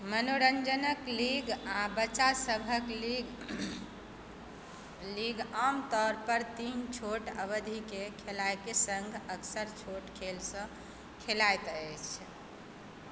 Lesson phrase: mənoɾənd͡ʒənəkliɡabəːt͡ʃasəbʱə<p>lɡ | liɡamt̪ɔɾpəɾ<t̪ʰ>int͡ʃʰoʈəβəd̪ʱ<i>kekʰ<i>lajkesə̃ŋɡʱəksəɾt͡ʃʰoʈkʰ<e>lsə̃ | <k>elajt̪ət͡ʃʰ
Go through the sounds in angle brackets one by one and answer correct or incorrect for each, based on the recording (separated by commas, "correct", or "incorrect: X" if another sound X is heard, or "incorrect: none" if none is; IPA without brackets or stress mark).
incorrect: k, incorrect: t̪, correct, incorrect: e, correct, incorrect: kʰ